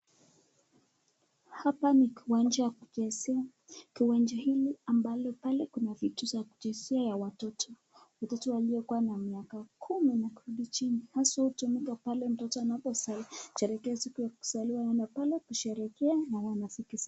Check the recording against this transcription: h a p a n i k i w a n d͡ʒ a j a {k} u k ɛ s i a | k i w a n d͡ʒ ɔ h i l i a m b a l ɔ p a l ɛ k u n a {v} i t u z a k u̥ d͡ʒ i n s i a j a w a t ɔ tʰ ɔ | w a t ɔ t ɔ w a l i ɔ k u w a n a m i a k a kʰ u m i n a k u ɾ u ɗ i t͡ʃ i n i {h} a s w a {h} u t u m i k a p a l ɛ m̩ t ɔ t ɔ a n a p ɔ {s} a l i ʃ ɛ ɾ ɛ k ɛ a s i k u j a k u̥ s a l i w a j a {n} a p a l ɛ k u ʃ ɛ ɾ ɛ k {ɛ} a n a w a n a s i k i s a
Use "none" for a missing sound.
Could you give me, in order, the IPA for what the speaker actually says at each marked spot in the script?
k, v, h, h, s, n, ɛ

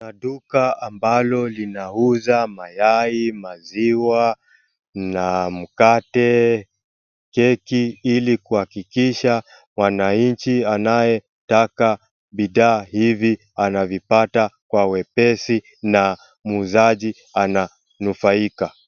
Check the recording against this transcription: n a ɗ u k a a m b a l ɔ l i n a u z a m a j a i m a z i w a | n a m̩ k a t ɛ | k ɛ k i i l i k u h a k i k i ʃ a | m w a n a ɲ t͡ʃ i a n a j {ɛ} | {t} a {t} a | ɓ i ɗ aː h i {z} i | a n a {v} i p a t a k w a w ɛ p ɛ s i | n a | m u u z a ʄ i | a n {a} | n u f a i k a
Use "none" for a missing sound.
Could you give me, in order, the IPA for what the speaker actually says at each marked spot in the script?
ɛ, t, k, v, v, a

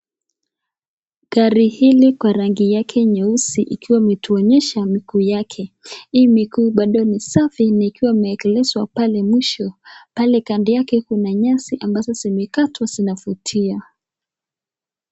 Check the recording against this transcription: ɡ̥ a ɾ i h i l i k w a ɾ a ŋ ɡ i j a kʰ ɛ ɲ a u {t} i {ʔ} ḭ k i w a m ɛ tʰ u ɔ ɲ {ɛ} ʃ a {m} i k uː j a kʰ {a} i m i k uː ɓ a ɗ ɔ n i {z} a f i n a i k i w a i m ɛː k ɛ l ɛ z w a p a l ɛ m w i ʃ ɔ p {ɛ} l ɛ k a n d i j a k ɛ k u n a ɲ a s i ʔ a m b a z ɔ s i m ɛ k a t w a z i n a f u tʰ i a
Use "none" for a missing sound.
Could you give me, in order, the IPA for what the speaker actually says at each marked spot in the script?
s, ʔ, ɛ, m, ɛ, s, a

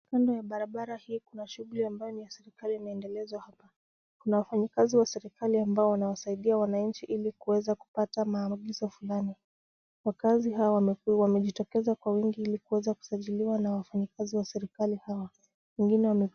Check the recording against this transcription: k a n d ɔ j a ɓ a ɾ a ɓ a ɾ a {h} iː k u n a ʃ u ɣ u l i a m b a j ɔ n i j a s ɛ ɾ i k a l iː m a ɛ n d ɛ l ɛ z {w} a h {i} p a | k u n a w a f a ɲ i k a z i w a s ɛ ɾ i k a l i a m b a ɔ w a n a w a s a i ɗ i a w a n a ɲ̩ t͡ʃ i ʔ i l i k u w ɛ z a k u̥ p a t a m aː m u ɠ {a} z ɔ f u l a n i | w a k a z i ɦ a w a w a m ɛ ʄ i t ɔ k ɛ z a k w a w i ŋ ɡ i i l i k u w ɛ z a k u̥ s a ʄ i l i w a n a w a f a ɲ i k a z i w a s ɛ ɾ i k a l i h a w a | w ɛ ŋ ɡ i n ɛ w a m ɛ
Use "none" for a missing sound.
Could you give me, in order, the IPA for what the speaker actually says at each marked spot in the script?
h, w, a, i

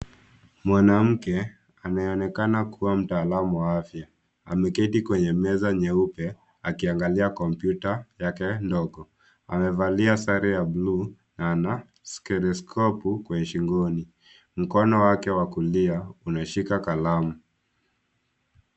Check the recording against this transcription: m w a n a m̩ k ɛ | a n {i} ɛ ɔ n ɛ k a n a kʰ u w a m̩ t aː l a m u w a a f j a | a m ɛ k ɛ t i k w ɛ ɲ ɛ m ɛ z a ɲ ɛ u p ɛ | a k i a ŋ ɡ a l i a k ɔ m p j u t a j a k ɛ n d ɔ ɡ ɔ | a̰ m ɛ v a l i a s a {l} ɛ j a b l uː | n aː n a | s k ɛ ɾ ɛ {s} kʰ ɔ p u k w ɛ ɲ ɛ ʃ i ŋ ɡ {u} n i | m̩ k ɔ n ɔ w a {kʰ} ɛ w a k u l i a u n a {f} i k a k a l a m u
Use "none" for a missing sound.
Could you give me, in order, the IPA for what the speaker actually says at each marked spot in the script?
a, ɾ, s, ɔ, k, ʃ

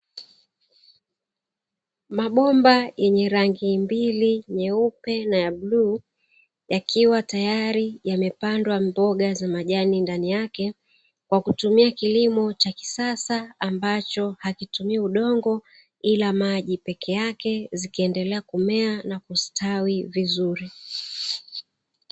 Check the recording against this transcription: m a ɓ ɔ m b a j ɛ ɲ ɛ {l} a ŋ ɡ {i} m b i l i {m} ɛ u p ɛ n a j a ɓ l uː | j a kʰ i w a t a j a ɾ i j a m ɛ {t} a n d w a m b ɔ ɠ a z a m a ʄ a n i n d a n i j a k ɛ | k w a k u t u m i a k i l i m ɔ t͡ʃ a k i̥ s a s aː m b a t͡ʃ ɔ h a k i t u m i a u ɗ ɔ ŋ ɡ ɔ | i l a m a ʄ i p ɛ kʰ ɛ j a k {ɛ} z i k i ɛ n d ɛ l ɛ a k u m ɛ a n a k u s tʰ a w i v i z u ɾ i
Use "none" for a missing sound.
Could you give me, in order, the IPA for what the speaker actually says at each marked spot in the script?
ɾ, i, ɲ, p, ɛ

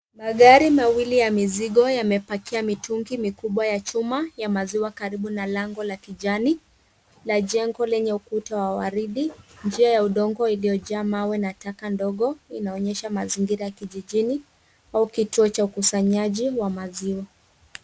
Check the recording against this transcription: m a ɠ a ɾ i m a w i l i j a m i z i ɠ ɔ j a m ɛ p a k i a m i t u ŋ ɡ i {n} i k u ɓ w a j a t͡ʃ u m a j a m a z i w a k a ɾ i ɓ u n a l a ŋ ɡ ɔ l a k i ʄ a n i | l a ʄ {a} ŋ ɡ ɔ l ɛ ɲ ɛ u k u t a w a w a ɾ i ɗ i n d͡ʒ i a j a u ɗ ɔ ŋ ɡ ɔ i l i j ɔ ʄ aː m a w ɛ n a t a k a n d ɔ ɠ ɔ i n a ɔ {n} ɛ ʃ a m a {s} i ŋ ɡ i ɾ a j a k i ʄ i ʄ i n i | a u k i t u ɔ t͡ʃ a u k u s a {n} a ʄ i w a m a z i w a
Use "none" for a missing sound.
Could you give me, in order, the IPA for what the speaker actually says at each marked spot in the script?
m, ɛ, ɲ, z, ɲ

